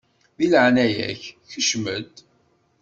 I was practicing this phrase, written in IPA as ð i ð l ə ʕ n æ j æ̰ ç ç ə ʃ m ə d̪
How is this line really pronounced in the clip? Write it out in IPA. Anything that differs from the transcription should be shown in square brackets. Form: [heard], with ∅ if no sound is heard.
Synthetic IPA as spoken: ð i [∅] l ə ʕ n æ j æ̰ ç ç ə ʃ m ə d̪